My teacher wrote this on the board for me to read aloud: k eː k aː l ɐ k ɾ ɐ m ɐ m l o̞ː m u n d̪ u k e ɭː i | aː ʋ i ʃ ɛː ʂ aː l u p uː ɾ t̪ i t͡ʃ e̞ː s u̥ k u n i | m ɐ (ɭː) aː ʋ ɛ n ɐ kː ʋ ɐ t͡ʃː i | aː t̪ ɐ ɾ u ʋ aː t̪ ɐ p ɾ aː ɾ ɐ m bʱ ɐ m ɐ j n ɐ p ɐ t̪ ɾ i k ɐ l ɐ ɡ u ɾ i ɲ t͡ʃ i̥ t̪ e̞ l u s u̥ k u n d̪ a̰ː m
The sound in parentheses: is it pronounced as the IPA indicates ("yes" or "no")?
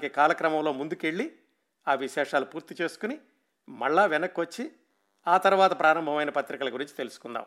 yes